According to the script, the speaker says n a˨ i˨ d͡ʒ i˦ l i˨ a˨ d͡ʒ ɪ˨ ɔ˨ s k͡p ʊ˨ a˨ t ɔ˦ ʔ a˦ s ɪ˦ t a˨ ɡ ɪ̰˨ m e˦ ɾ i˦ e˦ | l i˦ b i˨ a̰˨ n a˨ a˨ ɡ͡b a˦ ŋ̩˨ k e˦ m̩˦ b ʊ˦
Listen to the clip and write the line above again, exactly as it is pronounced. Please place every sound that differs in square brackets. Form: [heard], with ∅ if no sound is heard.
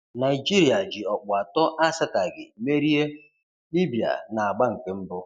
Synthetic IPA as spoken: n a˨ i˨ d͡ʒ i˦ [ɾ] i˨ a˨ d͡ʒ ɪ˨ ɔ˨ [∅] k͡p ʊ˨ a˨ t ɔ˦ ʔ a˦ s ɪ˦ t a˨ ɡ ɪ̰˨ m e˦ ɾ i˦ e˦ | l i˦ b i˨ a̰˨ n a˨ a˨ ɡ͡b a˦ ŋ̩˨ k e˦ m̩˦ b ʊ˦